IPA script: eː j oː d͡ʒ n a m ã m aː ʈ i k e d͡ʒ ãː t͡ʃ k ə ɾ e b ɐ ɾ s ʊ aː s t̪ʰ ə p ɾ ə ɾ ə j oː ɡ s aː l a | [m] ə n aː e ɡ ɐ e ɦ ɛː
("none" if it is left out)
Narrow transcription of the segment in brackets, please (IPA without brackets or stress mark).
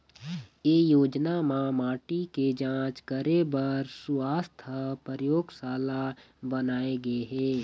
b